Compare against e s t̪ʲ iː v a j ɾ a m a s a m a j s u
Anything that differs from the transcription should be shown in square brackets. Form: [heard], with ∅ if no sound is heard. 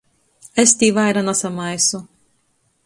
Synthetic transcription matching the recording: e s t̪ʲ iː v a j ɾ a [n] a s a m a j s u